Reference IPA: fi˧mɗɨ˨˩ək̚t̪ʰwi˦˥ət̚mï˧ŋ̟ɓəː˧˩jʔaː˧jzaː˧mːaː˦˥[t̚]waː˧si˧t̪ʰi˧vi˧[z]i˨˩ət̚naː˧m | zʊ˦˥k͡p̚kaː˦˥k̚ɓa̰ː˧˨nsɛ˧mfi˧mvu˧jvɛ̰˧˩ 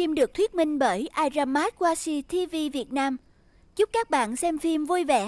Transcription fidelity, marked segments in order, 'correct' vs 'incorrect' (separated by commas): correct, incorrect